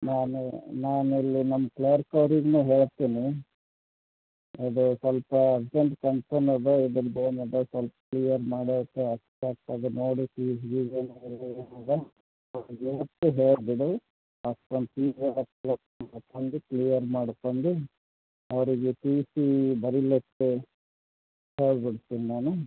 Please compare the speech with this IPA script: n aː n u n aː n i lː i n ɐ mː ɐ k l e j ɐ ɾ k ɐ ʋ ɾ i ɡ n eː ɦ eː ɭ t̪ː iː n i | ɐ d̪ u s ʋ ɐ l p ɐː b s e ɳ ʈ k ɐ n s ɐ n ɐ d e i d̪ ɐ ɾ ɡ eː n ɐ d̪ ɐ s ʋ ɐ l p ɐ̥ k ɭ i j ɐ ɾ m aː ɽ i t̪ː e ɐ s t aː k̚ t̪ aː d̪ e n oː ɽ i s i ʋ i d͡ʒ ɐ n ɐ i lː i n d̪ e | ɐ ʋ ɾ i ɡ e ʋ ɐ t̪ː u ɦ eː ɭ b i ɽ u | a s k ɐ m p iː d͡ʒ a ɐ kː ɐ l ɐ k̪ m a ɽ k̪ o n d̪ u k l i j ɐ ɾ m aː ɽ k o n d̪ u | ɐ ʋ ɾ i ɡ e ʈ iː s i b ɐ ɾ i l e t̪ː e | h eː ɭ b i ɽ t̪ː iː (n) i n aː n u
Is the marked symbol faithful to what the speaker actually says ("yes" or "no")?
yes